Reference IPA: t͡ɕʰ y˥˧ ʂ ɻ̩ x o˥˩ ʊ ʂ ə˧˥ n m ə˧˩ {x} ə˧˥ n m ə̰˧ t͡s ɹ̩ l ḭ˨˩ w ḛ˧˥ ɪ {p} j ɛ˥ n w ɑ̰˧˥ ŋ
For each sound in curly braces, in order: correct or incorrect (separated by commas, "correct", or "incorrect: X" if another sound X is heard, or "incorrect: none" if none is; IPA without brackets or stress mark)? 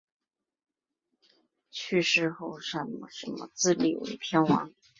incorrect: ʂ, incorrect: pʰ